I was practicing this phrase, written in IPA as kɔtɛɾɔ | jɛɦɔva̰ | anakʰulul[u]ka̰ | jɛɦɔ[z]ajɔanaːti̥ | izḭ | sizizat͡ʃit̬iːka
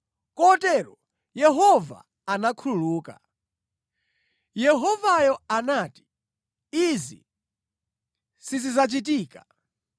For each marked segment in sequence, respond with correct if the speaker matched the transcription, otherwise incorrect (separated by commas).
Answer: incorrect, incorrect